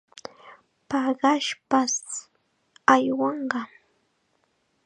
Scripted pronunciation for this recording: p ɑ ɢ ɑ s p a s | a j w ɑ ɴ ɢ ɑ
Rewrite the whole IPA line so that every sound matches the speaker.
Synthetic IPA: p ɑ ɢ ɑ ʃ p a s | a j w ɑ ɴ ɢ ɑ